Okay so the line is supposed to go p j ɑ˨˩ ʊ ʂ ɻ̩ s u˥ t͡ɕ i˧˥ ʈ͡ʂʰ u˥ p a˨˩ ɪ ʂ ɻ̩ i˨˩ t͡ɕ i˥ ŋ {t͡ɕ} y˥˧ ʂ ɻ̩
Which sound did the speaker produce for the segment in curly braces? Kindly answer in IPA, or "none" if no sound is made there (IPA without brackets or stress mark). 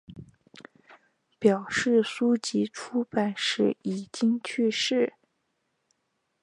t͡ɕʰ